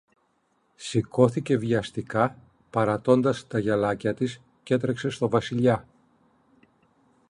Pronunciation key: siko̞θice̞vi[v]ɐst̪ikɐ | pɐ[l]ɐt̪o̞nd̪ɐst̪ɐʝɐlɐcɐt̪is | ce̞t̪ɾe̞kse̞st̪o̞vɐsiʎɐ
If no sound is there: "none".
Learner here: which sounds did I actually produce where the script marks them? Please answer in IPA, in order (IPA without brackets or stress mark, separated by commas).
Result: none, ɾ